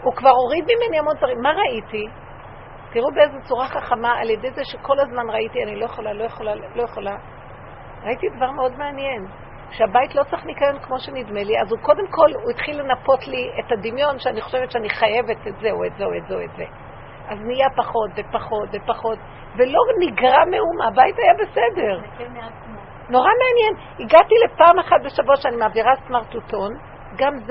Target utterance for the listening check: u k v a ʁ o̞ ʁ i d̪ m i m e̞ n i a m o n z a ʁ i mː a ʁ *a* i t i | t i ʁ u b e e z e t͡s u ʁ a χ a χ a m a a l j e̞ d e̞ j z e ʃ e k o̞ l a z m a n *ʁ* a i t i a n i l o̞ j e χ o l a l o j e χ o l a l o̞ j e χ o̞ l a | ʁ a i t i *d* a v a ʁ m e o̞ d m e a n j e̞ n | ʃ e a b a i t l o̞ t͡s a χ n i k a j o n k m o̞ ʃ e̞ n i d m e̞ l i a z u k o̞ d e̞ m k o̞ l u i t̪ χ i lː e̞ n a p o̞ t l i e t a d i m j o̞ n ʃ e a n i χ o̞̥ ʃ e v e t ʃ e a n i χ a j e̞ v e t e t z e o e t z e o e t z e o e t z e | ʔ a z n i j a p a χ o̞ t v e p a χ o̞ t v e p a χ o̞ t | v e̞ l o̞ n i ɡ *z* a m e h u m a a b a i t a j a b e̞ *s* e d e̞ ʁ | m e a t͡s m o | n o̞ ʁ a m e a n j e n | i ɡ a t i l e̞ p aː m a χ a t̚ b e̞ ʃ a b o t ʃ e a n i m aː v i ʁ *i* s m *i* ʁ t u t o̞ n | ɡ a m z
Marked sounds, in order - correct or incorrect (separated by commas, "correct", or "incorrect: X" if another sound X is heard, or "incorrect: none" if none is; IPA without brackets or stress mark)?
correct, correct, correct, incorrect: ʁ, correct, incorrect: a, incorrect: a